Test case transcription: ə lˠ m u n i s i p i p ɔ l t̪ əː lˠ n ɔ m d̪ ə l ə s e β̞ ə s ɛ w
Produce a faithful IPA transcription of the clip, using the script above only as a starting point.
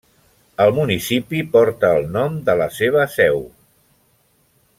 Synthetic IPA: ə lˠ m u n i s i p i p ɔ ɾ t̪ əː lˠ n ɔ m d̪ ə l ə s e β̞ ə s ɛ w